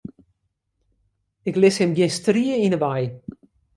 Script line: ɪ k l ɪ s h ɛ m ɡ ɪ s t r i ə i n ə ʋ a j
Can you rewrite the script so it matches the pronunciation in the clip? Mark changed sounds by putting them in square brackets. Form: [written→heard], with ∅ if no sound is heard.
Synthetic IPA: ɪ k l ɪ s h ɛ m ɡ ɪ s t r i ə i n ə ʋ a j